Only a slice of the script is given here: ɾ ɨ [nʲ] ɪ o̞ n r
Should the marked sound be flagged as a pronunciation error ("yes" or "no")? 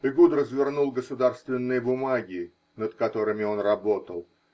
yes